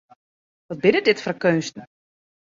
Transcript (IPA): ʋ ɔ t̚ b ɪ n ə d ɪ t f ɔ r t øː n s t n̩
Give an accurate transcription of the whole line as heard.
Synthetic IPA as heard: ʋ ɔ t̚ b ɪ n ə d ɪ t f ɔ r k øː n s t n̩